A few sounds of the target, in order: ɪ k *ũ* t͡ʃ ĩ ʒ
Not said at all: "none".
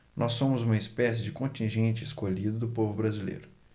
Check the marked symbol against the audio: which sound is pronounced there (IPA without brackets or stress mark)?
õ